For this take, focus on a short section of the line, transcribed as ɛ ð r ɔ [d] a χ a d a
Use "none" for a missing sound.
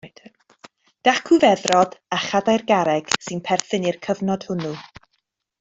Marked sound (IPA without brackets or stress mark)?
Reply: d